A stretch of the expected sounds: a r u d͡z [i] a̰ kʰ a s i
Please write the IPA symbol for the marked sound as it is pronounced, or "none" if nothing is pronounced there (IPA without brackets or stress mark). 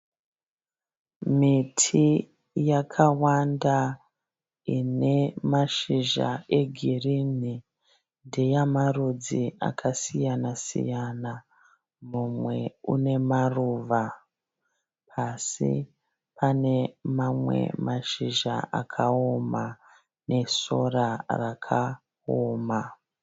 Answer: i